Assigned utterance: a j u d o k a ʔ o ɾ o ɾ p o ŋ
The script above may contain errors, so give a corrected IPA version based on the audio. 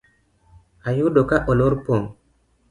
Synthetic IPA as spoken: a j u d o k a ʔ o l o ɾ p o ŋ